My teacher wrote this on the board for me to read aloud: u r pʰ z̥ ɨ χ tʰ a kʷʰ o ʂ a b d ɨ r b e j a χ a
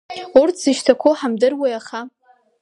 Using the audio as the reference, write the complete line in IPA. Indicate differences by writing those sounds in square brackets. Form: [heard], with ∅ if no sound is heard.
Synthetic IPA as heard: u r [tʰ] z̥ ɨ [ʃ] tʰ a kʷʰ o [ħ] a [m] d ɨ r [w] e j a χ a

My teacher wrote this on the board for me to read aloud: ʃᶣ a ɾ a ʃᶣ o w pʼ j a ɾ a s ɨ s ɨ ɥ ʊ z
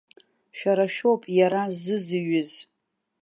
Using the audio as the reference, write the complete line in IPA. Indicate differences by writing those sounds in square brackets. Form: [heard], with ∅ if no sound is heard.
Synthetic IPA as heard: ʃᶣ a ɾ a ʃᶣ o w pʼ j a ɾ a [z] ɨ [z] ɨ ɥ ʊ z

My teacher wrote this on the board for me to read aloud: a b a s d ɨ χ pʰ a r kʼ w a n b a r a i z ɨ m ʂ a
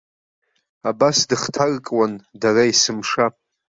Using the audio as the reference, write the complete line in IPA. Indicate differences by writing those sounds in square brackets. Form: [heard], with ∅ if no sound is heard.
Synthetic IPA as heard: a b a s d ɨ χ [tʰ] a r kʼ w a n [d] a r a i [s] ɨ m ʂ a

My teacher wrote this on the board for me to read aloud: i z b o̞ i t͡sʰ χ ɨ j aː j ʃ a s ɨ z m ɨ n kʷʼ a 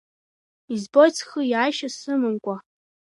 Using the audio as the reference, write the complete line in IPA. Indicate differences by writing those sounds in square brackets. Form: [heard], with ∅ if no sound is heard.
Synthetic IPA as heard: i z b o̞ [j] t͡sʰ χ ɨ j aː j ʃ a s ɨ [∅] m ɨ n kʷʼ a

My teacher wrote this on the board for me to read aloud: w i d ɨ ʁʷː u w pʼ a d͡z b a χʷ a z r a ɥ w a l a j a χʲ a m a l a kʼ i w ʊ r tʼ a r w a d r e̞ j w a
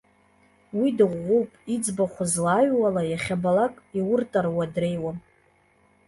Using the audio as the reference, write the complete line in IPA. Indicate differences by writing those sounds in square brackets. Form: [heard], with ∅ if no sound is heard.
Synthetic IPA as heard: w i d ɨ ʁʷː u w pʼ [i] d͡z b a χʷ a z [l] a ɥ w a l a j a χʲ a [b] a l a kʼ i w ʊ r tʼ a r w a d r e̞ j w a

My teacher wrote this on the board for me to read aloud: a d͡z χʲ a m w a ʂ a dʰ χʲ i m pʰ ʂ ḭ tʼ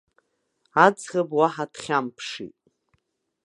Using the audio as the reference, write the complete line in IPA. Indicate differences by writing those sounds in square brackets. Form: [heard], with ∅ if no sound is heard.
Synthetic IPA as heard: a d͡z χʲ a [b] w a [ħ] a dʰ χʲ [a] m pʰ ʂ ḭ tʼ

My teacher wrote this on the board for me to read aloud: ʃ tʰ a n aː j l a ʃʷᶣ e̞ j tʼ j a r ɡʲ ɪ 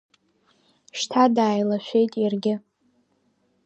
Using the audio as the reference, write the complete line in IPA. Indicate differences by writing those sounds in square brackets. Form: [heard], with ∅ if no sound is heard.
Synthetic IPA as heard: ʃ tʰ a [d] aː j l a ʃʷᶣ e̞ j tʼ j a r ɡʲ ɪ

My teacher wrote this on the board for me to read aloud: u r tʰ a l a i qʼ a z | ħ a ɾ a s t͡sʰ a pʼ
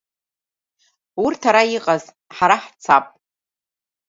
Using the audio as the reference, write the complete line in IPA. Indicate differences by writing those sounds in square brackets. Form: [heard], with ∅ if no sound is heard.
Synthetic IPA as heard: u r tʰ a [ɾ] a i qʼ a z | ħ a ɾ a [ħ] t͡sʰ a pʼ

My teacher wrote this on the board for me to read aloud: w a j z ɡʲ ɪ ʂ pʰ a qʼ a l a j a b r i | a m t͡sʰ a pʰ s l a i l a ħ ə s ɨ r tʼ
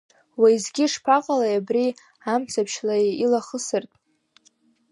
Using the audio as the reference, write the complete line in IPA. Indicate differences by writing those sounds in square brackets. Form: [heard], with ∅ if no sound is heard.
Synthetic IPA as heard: w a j z ɡʲ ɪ ʂ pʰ a qʼ a l a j a b r i | a m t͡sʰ a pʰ [ʃ] l a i l a [χ] ə s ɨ r tʼ

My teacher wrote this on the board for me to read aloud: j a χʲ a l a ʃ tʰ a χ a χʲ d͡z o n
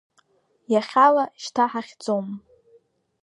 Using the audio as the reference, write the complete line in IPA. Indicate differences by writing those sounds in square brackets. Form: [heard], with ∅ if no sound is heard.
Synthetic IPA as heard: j a χʲ a l a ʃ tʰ a [ħ] a χʲ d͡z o [m]

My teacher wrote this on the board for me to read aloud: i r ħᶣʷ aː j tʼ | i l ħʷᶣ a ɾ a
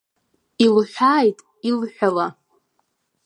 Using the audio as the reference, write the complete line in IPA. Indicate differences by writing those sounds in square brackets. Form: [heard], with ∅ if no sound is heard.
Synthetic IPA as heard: i [l] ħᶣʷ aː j tʼ | i l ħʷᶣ a [l] a

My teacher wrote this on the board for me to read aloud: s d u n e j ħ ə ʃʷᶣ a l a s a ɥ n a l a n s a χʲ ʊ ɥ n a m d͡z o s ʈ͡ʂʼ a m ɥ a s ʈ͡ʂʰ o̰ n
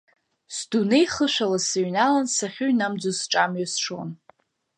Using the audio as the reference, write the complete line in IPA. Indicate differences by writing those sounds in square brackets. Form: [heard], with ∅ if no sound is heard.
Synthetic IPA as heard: s d u n e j [χ] ə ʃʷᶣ a l a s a ɥ n a l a n s a χʲ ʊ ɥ n a m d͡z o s ʈ͡ʂʼ a m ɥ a s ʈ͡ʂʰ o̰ n

